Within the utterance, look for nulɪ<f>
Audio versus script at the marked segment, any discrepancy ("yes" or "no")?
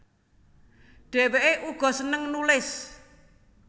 yes